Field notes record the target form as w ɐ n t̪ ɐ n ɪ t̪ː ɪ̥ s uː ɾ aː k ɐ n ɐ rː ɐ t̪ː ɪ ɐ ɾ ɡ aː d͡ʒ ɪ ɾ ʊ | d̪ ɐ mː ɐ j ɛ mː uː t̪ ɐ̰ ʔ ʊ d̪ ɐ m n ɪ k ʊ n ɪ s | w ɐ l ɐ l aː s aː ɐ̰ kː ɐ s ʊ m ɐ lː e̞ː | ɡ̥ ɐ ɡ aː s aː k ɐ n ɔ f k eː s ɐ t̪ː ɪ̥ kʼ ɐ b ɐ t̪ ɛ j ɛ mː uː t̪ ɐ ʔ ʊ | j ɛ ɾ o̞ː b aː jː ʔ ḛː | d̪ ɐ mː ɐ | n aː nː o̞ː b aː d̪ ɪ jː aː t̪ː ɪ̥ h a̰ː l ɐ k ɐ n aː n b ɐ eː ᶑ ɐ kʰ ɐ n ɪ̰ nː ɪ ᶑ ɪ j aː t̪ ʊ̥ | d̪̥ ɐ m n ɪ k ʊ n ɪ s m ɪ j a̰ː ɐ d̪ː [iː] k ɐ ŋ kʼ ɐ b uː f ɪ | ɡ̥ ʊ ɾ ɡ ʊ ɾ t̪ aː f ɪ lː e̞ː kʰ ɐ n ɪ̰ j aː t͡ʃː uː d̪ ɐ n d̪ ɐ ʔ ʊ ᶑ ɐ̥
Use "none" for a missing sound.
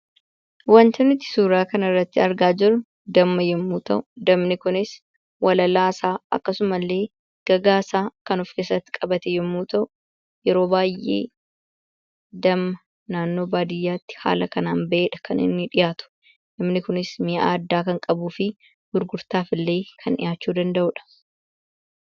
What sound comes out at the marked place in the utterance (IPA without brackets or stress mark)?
aː